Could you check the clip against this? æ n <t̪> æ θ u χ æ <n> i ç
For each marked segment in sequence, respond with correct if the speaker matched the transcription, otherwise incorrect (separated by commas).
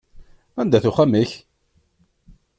incorrect, incorrect